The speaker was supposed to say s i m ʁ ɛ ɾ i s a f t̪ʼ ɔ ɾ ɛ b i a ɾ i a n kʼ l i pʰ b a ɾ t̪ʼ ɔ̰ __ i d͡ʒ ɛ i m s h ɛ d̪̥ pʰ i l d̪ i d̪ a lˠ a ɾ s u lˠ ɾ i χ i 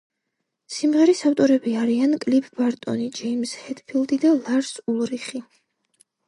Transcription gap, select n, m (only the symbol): n